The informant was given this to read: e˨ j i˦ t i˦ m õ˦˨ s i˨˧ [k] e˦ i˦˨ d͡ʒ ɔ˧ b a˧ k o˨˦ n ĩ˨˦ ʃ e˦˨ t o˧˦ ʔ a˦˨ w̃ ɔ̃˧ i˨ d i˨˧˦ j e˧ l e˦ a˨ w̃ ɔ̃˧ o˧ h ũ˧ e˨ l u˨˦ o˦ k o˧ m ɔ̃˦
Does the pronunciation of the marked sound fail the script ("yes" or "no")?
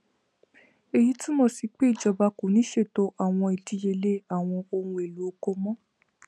yes